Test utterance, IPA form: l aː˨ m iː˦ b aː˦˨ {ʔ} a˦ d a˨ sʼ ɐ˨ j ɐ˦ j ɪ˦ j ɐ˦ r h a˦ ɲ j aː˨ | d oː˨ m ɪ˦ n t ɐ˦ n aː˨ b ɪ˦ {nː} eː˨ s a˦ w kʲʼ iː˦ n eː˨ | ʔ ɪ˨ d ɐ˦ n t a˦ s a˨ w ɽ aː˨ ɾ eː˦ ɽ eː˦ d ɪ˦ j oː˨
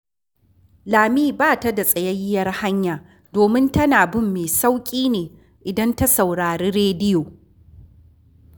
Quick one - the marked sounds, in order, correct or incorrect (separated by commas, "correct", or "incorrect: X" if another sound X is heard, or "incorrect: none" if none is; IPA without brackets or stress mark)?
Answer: incorrect: t, incorrect: mː